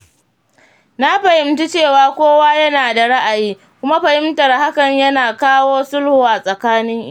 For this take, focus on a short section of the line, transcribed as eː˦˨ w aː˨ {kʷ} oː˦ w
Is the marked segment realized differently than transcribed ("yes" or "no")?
no